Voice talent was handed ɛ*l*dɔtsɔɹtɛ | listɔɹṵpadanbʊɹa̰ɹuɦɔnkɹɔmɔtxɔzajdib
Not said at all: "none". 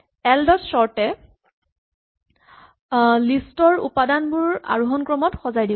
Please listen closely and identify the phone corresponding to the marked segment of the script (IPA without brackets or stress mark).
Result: l